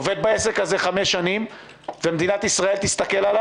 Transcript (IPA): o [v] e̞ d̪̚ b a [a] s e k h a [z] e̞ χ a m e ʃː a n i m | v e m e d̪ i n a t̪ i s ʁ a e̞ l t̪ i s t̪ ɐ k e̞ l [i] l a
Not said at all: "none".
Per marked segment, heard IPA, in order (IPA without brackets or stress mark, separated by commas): v, e, z, a